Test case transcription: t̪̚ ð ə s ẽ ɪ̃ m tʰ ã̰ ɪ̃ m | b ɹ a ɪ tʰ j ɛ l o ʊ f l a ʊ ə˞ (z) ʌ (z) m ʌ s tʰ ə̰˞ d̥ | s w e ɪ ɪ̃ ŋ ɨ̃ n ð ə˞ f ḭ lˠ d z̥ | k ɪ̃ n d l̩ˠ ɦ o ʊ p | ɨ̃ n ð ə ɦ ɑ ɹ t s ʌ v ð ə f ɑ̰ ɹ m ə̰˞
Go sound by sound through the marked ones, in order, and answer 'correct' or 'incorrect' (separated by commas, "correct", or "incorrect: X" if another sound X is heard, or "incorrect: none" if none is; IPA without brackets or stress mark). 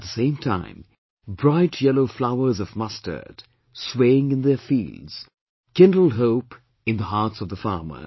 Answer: correct, incorrect: v